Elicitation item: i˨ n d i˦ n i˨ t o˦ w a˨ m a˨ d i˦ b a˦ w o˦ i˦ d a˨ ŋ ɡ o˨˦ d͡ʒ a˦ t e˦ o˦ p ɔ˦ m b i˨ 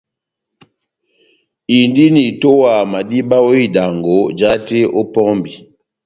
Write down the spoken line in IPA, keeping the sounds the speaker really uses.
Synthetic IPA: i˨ n d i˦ n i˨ t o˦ w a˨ m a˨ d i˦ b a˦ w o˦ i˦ d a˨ ŋ ɡ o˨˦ d͡ʒ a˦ t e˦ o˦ p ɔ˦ m b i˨